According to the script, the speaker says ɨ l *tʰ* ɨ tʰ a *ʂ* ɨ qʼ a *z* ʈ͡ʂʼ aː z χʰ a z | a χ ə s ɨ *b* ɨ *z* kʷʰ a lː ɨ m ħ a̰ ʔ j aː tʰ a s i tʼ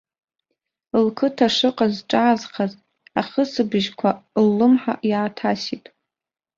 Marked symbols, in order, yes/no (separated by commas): no, yes, yes, yes, no